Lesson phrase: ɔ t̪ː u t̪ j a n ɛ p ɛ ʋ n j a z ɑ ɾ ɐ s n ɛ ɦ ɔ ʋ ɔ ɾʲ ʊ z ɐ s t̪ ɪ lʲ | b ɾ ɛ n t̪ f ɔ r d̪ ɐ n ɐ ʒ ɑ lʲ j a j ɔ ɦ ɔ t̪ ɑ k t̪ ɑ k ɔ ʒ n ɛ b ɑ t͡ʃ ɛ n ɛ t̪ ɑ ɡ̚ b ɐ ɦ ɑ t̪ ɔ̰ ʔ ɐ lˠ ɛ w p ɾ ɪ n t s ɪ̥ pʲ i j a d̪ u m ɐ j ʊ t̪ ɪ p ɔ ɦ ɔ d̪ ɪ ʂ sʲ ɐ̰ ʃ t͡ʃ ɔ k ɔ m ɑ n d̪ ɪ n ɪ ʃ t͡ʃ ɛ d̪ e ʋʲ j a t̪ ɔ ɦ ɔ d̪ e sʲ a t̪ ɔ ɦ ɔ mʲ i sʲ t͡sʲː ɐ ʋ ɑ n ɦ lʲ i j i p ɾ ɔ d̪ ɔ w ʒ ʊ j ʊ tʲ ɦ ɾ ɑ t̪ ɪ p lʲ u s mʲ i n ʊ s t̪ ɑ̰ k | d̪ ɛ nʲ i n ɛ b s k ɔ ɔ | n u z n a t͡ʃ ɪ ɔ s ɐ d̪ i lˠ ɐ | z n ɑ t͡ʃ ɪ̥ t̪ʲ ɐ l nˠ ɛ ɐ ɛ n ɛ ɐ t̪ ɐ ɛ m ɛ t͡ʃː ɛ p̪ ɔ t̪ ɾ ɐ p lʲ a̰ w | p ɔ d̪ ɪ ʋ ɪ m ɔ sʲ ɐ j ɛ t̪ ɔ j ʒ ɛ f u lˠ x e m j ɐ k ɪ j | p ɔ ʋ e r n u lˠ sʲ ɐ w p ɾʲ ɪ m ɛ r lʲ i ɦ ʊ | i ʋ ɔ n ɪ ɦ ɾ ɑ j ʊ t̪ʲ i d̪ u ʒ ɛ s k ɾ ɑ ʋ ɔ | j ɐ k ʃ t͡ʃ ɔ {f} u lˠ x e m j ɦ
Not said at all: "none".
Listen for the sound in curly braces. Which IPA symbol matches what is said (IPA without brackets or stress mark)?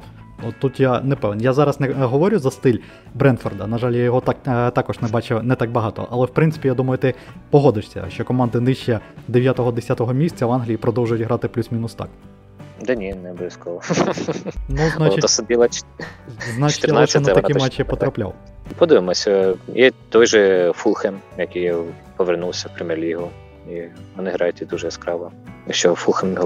f